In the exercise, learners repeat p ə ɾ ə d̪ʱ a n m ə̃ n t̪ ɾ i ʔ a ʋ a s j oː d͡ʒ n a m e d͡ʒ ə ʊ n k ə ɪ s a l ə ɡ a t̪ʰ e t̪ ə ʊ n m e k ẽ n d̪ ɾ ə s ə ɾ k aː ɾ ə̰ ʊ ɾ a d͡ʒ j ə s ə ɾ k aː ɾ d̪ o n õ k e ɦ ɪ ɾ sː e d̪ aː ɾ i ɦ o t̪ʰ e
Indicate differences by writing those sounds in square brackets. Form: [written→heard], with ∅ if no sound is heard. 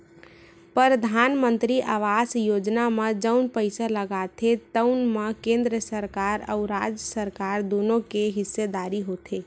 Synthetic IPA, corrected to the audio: p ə ɾ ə d̪ʱ a n m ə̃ n t̪ ɾ i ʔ a ʋ a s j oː d͡ʒ n a m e d͡ʒ ə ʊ n [k→p] ə ɪ s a l ə ɡ a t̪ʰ e t̪ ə ʊ n m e k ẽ n d̪ ɾ ə s ə ɾ k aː ɾ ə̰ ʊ ɾ a d͡ʒ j ə s ə ɾ k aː ɾ d̪ o n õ k e ɦ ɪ [ɾ→∅] sː e d̪ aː ɾ i ɦ o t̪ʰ e